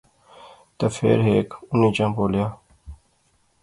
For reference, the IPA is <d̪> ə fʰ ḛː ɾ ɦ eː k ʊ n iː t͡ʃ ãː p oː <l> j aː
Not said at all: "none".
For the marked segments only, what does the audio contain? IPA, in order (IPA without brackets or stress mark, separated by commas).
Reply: t̪, l